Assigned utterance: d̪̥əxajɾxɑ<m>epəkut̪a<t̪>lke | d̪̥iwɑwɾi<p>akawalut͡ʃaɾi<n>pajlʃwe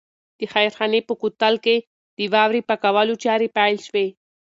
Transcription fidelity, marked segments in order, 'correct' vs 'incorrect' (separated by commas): incorrect, incorrect, correct, incorrect